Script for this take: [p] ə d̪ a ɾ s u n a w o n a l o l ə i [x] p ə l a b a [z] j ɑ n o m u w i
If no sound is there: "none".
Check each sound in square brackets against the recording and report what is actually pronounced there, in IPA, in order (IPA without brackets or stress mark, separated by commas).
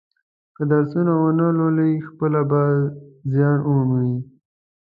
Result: k, x, z